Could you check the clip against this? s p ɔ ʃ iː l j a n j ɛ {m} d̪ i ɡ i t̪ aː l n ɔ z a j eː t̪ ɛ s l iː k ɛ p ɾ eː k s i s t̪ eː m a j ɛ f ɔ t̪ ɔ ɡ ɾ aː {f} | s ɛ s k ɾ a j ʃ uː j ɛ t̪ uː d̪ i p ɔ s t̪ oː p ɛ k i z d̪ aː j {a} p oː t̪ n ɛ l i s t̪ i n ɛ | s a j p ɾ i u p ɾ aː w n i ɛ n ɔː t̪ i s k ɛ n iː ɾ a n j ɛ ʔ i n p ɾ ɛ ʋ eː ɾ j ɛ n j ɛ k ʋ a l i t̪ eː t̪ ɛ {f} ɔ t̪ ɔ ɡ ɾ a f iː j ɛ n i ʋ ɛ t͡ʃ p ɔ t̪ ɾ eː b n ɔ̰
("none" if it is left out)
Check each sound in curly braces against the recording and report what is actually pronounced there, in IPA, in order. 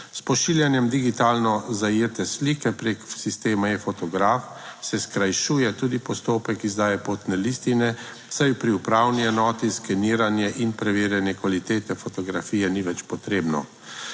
m, f, ɛ, f

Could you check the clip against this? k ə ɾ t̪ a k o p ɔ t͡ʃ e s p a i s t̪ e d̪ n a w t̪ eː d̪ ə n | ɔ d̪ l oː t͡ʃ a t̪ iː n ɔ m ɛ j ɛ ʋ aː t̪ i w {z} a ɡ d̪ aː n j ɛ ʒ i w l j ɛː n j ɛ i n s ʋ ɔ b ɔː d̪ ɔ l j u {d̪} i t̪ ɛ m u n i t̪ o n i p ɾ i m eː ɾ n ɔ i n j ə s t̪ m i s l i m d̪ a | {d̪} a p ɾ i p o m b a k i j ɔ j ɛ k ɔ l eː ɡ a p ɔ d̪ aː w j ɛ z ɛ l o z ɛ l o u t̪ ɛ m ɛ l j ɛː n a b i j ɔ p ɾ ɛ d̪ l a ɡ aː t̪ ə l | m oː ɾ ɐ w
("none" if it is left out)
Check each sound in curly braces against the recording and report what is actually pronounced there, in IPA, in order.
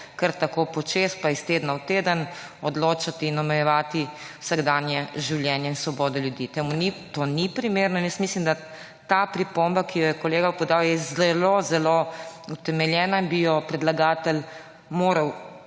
s, d̪, t̪

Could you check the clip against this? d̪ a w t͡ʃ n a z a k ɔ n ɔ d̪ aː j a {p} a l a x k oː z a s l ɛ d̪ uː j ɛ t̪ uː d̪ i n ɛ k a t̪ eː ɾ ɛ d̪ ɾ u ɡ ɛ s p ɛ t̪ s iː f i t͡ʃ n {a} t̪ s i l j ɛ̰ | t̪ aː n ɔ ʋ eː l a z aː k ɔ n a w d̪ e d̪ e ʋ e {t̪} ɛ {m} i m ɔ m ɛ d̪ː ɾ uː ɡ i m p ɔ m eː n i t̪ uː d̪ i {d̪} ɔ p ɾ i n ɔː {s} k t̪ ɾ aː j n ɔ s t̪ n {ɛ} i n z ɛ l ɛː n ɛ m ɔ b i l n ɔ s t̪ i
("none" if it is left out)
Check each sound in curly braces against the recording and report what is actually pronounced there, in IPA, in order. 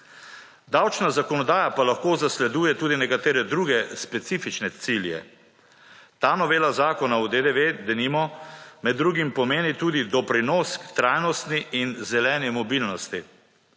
p, ɛ, d̪, n, d̪, s, i

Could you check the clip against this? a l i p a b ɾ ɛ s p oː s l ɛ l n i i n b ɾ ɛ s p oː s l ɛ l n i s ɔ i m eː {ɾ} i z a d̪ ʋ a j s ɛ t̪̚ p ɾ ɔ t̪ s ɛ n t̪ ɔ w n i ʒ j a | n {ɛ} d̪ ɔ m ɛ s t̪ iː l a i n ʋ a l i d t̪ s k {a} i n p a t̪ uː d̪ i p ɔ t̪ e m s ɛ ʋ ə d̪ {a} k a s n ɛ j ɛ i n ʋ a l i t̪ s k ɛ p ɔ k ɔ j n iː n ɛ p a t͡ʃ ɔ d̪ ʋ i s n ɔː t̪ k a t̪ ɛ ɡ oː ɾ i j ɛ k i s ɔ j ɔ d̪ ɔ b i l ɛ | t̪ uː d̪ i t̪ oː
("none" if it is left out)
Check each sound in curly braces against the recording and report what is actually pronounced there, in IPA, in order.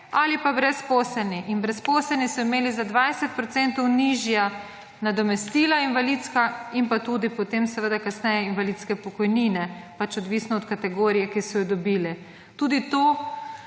l, a, a, a

